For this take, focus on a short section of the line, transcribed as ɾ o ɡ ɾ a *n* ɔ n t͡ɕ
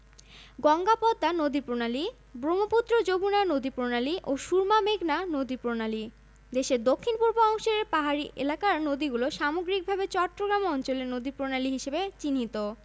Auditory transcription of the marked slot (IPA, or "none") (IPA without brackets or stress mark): m